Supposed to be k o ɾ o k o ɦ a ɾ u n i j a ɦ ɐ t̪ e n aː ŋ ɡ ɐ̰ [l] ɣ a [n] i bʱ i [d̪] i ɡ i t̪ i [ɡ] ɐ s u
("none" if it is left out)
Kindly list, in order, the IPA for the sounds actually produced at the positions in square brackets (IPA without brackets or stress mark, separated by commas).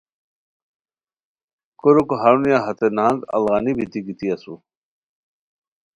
l, n, t̪, none